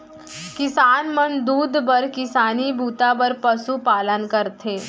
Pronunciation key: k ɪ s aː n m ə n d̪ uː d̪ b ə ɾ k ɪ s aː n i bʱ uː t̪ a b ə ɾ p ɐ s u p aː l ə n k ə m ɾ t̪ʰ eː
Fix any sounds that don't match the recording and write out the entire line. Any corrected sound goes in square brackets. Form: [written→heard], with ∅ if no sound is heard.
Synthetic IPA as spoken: k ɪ s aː n m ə n d̪ uː d̪ b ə ɾ k ɪ s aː n i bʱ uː t̪ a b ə ɾ p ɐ s u p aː l ə n k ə [m→∅] ɾ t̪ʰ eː

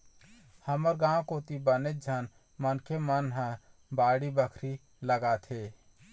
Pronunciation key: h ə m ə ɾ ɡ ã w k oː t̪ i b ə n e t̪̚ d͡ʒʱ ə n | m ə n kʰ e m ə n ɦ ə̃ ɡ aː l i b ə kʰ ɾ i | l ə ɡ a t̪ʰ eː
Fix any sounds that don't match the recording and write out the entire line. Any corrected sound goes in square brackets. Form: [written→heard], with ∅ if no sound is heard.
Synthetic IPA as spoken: h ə m ə ɾ ɡ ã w k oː t̪ i b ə n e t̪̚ d͡ʒʱ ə n | m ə n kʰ e m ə n ɦ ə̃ [ɡ→b] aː [l→ɽ] i b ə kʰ ɾ i | l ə ɡ a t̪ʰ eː

